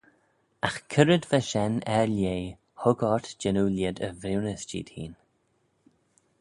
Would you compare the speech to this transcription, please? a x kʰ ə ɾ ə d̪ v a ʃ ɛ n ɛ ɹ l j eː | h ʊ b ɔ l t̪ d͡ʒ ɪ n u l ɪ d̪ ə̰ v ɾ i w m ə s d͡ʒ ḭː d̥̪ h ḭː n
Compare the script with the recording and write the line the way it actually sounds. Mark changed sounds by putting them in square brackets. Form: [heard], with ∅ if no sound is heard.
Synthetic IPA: a x kʰ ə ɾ ə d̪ v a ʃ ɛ n ɛ ɹ l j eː | h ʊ [ɡ] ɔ [ɹ] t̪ d͡ʒ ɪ n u l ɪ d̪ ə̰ v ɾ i w [n] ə s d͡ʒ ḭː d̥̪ h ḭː n